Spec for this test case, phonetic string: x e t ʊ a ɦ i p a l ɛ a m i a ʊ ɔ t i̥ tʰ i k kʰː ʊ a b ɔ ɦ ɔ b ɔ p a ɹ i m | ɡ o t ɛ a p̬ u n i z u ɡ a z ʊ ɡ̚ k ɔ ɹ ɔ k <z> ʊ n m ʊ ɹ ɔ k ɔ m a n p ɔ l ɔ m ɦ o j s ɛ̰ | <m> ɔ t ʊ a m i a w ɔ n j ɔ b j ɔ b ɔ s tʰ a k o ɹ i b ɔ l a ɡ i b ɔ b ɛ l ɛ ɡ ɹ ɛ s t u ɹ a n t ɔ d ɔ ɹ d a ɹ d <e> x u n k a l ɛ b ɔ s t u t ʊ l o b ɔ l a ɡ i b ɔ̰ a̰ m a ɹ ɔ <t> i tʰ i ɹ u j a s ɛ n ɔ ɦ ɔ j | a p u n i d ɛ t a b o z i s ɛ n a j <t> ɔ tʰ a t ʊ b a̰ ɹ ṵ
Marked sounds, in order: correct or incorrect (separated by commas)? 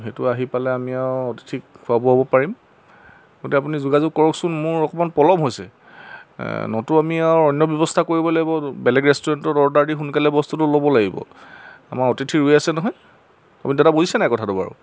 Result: incorrect, incorrect, incorrect, correct, incorrect